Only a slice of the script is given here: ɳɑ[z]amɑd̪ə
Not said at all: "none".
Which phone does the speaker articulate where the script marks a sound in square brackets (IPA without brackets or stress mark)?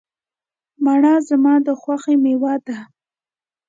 z